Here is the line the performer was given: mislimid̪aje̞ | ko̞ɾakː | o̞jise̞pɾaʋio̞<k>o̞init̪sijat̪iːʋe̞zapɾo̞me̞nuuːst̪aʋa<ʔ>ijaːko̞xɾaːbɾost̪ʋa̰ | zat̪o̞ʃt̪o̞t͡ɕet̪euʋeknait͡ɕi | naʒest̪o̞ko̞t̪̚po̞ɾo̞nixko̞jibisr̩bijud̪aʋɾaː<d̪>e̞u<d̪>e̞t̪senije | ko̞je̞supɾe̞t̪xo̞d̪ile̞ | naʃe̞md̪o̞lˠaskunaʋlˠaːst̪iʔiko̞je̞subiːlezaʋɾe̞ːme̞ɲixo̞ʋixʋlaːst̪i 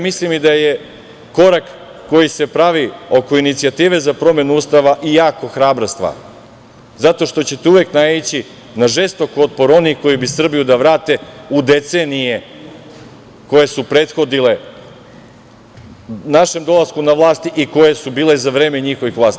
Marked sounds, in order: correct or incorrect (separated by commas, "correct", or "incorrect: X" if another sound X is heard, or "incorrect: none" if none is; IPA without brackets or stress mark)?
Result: correct, correct, incorrect: t̪, correct